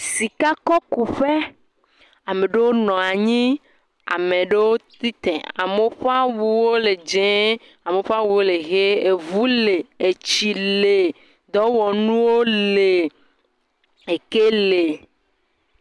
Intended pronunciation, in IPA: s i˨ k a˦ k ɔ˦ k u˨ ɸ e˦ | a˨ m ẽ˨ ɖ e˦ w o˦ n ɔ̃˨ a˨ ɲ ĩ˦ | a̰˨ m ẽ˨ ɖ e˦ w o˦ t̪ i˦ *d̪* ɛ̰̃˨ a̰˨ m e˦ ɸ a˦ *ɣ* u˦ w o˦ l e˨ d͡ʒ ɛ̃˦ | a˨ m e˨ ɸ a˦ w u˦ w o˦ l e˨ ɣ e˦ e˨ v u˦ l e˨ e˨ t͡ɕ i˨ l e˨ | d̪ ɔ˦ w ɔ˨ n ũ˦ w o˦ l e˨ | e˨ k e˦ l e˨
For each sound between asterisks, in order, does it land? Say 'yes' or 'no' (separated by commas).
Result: no, no